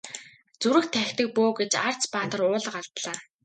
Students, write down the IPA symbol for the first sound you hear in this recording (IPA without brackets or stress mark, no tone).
t͡s